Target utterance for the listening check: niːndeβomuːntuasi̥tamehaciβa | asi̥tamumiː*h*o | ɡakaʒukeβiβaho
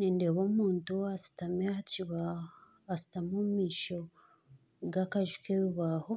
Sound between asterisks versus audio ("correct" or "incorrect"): incorrect